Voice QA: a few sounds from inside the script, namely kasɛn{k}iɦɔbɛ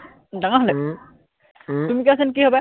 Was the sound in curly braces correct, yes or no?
yes